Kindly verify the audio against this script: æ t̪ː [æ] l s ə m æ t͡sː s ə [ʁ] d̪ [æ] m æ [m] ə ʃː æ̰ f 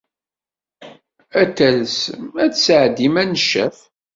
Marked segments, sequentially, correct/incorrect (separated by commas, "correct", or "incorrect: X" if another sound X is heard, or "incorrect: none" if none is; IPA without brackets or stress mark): correct, incorrect: ʕ, incorrect: i, incorrect: n